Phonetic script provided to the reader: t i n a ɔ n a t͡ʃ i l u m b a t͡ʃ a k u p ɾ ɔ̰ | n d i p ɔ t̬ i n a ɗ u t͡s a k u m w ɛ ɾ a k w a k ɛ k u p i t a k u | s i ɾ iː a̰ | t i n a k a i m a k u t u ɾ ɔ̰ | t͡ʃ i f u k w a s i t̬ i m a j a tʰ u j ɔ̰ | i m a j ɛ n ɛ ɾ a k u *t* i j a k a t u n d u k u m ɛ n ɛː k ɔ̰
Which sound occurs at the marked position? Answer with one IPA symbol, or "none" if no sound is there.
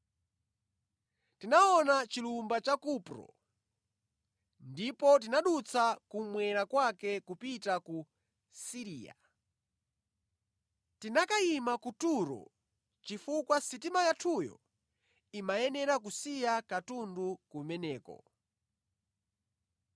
s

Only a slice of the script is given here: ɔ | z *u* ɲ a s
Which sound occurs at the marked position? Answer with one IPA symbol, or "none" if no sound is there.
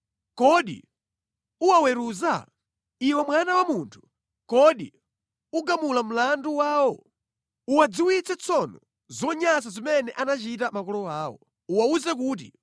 ɔ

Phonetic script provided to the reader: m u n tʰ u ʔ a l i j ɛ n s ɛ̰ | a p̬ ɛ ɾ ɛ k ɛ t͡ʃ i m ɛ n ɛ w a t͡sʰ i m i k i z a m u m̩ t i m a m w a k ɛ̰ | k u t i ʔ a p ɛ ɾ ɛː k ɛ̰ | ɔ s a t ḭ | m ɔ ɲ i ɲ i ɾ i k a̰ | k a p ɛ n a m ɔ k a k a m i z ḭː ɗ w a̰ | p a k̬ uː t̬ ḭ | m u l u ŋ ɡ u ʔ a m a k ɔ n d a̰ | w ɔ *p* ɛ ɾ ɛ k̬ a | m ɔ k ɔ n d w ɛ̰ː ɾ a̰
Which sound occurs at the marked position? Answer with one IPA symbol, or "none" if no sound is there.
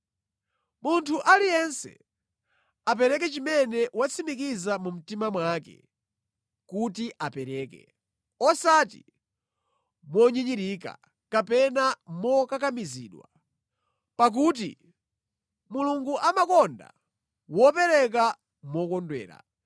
p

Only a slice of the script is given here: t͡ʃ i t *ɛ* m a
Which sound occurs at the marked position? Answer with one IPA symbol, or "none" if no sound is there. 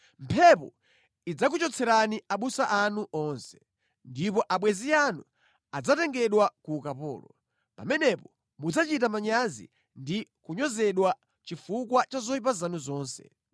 a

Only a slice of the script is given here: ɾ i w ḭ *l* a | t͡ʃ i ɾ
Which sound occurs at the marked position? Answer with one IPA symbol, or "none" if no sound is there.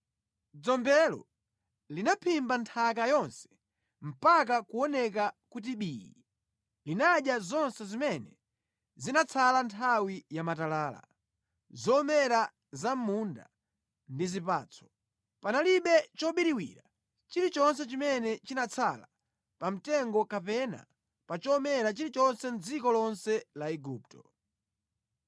ɾ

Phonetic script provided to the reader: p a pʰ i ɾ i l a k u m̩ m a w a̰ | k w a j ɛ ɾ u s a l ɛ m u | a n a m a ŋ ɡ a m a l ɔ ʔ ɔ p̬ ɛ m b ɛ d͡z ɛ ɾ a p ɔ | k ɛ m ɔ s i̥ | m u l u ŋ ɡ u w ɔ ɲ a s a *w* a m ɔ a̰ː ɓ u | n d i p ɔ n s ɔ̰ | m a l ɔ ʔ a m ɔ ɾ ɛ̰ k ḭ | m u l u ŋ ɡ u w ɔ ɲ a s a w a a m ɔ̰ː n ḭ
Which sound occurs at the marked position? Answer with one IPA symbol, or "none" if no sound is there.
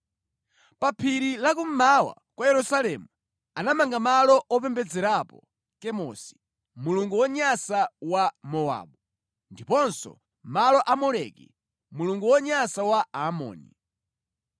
w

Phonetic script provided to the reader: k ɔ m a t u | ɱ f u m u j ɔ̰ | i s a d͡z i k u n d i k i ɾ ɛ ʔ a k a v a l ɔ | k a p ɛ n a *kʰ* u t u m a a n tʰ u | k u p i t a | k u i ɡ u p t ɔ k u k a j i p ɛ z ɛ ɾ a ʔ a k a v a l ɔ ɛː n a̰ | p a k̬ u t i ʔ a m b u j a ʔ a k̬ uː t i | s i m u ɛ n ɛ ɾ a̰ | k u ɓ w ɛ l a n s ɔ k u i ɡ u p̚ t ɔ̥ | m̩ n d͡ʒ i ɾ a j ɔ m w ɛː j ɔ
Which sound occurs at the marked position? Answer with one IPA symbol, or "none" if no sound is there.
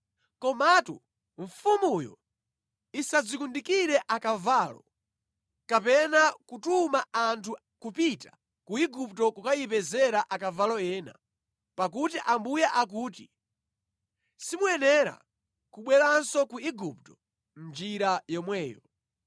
k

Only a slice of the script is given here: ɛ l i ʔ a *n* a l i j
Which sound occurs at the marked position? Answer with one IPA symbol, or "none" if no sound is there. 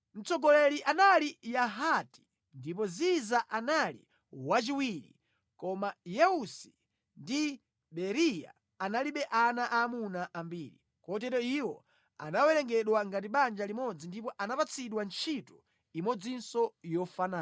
n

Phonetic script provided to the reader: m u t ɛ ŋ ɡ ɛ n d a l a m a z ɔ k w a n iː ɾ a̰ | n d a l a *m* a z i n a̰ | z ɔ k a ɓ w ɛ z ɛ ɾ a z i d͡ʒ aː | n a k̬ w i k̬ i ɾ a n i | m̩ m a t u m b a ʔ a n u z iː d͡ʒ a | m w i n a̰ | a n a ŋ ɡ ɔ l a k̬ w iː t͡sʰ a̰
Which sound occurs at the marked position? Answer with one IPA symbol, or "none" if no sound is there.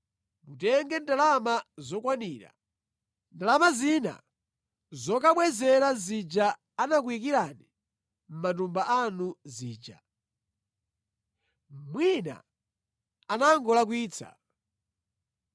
m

